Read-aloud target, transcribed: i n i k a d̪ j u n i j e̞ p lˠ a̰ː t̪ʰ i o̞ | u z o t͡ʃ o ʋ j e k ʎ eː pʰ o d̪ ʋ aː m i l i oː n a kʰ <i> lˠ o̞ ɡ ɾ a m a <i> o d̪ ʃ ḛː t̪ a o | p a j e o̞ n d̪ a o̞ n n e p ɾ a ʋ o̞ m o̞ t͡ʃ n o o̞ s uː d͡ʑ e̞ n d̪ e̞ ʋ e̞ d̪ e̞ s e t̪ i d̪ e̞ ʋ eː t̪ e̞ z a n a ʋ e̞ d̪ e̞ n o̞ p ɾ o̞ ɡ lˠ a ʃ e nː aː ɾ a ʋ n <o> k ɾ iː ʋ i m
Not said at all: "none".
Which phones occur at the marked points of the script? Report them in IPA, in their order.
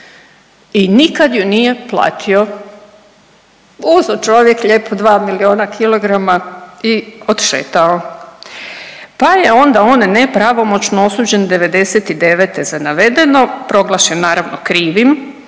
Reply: i, i, o

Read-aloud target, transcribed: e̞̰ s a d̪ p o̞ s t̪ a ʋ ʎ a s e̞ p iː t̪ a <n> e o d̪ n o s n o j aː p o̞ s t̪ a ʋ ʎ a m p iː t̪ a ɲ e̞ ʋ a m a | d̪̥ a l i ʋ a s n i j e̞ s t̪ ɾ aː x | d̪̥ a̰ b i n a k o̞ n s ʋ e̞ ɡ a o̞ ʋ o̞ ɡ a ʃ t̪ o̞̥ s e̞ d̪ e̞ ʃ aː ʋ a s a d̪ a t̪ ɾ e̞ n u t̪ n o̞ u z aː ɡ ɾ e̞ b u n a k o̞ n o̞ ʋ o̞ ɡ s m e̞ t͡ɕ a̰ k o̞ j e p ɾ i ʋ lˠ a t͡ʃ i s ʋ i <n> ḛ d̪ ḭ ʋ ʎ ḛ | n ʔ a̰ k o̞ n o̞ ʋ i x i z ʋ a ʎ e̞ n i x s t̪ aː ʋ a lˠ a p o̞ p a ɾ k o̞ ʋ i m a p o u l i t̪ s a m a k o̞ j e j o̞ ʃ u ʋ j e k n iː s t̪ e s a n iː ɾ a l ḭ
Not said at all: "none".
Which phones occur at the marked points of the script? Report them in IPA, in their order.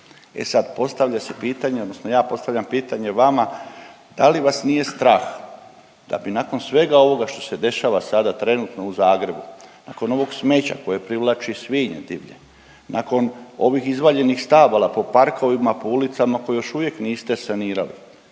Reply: ɲ, ɲ

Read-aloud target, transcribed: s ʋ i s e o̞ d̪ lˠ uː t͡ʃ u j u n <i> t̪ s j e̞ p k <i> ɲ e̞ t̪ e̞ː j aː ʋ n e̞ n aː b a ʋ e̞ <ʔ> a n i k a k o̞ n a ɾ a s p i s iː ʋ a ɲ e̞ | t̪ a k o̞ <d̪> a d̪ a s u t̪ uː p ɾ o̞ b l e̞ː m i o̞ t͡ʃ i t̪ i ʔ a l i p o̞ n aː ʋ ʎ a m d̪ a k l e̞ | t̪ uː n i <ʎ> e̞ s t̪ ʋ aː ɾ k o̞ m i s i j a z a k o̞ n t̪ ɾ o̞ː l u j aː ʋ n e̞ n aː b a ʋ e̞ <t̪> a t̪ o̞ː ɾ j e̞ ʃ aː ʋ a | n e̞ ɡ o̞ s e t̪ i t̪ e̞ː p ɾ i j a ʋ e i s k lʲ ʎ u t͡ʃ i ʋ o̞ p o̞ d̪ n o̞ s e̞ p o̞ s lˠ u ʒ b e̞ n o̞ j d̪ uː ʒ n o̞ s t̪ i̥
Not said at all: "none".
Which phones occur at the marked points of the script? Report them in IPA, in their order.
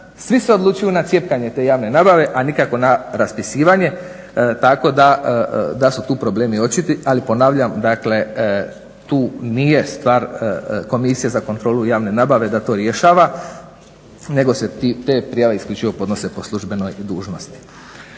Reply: a, a, ʔ, d̪, j, d̪

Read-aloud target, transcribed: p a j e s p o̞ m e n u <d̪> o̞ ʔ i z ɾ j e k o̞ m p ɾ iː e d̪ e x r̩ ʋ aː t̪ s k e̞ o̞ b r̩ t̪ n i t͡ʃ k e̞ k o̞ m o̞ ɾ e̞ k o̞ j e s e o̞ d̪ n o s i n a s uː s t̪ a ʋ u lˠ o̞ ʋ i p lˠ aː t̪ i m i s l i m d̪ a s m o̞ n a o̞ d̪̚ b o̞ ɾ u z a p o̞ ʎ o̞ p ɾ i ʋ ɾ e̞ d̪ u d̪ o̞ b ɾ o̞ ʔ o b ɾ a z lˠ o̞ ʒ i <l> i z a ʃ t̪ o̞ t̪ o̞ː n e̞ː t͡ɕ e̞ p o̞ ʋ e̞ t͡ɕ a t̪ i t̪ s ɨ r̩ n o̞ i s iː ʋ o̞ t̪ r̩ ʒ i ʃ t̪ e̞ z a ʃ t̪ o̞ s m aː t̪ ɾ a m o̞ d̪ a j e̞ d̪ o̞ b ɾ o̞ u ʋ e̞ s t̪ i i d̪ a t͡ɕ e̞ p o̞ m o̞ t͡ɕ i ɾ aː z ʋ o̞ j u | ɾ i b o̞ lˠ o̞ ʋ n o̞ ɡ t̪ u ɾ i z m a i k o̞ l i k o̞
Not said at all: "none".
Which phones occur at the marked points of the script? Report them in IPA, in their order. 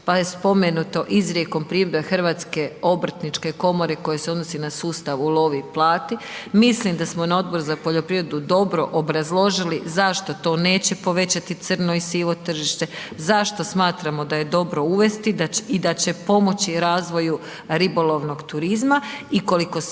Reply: t̪, l

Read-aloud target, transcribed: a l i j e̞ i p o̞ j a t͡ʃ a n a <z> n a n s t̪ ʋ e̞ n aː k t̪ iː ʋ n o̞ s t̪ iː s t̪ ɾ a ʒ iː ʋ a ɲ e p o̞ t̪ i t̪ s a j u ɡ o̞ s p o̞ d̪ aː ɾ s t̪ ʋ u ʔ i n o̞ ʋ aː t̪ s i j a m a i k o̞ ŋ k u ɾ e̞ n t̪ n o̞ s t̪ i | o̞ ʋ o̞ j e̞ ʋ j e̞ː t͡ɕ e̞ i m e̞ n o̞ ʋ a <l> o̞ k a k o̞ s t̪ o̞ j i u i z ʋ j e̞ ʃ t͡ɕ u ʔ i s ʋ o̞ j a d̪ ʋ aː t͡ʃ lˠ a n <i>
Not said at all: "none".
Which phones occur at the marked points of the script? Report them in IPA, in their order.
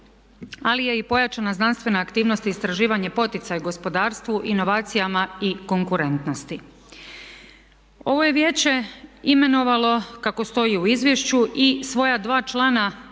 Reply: z, l, a

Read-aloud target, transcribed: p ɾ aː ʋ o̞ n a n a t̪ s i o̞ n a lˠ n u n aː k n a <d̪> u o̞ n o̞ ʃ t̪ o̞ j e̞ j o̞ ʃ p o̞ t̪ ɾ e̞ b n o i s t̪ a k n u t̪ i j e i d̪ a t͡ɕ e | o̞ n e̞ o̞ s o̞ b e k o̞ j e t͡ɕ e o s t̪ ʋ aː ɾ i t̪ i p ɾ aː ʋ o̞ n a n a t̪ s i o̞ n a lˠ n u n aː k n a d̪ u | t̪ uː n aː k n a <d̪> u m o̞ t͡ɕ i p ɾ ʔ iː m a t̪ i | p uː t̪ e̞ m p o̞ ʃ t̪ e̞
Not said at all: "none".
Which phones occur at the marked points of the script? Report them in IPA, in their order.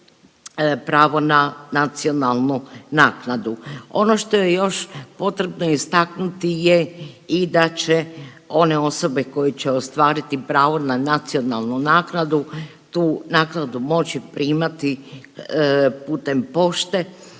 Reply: d̪, d̪

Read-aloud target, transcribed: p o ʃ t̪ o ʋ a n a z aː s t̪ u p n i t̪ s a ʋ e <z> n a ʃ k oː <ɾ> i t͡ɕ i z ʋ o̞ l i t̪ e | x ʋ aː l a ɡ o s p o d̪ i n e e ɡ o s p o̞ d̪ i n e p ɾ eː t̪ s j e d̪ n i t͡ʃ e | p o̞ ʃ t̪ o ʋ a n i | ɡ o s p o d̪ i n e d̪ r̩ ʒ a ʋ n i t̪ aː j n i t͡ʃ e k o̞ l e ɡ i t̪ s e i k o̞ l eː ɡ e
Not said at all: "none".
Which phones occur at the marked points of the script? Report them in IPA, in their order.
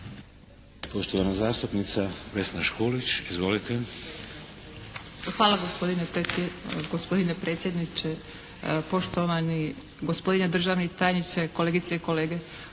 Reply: s, l

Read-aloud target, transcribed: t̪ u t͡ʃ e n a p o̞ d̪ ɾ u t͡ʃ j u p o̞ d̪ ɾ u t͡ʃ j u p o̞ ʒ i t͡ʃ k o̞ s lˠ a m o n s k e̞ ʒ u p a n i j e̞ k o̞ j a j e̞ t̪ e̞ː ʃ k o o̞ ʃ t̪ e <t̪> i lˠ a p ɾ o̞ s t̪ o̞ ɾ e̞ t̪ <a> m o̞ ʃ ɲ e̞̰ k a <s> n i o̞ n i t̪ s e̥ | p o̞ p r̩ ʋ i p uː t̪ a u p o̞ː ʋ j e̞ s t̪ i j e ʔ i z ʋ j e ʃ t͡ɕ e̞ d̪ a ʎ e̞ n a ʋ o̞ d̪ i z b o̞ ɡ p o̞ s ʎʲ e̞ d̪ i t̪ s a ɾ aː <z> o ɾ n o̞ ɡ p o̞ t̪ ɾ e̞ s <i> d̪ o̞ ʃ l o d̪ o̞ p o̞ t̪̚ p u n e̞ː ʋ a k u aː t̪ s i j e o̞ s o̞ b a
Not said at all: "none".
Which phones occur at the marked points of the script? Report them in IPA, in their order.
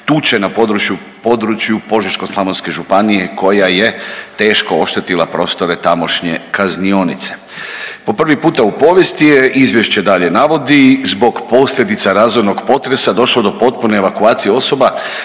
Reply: t̪, a, z, z, a

